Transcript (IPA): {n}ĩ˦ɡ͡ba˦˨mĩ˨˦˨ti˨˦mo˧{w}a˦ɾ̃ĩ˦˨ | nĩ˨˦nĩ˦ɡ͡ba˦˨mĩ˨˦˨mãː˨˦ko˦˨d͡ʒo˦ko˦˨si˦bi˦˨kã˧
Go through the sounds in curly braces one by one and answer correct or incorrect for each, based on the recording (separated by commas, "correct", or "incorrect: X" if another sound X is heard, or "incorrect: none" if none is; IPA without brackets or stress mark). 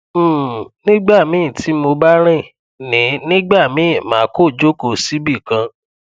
correct, incorrect: b